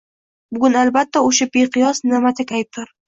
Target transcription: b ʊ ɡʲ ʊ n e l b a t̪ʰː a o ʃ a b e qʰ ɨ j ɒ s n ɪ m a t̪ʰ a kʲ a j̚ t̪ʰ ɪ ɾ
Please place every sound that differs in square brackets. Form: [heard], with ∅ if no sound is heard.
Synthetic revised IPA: b ʊ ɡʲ ʊ n [a] l b a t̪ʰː a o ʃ a b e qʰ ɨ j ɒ s n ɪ m a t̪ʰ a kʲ a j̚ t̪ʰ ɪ ɾ